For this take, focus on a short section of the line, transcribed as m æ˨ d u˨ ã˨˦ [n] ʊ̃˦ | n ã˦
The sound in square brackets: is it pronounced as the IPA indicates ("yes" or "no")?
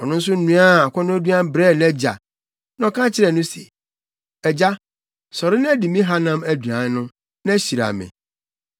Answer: yes